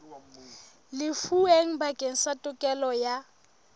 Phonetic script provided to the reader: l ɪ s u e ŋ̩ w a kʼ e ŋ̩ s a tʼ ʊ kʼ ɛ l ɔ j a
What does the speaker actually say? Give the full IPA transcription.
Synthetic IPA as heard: l ɪ f u e ŋ̩ b a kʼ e ŋ̩ s a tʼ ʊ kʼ ɛ l ɔ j a